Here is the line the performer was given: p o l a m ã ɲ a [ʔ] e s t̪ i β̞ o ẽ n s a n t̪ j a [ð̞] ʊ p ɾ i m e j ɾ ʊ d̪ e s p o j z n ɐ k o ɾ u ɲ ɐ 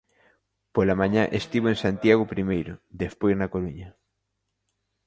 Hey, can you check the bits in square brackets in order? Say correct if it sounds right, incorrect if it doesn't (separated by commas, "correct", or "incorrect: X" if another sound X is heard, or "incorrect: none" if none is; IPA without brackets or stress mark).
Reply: correct, incorrect: ɣ̞